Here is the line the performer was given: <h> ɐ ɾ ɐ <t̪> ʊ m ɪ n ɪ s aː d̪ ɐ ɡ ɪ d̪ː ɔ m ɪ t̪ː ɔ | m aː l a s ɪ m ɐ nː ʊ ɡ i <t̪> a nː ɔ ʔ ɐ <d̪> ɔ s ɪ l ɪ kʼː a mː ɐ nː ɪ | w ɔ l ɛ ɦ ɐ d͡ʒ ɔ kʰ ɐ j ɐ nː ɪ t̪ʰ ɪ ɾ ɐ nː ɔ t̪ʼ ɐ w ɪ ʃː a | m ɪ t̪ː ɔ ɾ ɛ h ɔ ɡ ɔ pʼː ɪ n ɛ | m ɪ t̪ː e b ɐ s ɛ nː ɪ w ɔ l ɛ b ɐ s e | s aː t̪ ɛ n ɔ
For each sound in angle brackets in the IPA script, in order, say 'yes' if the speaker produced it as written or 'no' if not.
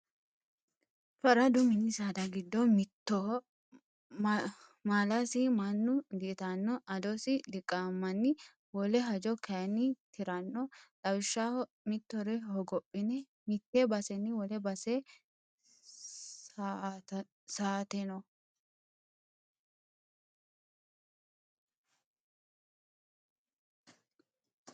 no, no, yes, yes

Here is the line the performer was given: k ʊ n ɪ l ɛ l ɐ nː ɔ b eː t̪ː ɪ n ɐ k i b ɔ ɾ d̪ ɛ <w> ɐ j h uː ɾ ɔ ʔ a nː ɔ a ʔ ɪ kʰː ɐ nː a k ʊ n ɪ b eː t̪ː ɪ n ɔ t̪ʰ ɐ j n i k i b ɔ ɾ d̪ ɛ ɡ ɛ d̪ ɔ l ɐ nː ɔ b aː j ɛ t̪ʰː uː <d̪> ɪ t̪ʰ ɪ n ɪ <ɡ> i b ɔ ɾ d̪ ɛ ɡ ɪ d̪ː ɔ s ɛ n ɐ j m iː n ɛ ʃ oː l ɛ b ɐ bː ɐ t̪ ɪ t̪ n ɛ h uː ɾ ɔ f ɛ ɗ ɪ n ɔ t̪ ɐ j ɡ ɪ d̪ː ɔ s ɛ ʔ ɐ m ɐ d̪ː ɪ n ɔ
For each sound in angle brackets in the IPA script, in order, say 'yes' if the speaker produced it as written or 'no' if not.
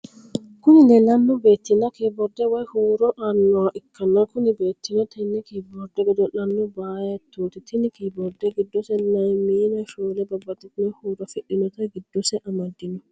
yes, no, no

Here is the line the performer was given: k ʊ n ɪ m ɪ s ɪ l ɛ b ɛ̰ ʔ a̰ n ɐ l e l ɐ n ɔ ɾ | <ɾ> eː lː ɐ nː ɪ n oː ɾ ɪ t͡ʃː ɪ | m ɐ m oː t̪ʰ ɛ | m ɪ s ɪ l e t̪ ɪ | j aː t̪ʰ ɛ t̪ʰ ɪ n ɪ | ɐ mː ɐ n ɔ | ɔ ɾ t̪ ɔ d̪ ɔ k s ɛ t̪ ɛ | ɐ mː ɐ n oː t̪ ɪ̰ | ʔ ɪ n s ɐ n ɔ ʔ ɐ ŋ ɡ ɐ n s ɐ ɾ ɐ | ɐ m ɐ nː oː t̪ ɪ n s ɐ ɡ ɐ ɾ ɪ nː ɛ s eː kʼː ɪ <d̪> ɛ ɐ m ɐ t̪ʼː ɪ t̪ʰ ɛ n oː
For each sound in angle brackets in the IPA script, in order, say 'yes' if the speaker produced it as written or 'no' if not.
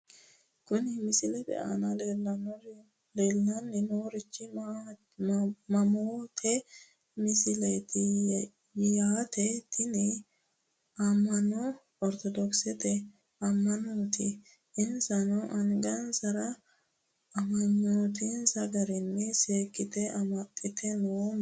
no, no

